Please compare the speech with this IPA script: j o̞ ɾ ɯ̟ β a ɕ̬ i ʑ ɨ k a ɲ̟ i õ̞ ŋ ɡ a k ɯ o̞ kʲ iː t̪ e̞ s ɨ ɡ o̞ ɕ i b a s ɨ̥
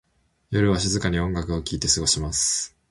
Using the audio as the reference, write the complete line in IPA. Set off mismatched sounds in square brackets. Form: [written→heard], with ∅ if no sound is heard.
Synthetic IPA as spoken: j o̞ ɾ ɯ̟ β a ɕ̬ i [ʑ→z] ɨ k a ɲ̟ i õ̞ ŋ ɡ a k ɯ o̞ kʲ iː t̪ e̞ s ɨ ɡ o̞ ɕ i [b→m] a s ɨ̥